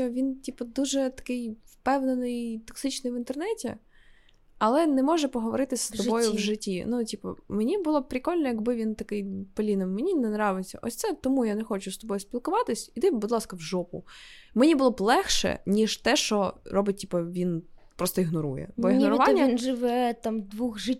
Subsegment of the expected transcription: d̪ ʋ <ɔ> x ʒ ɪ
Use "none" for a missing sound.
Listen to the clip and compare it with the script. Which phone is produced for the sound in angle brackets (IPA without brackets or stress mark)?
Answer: u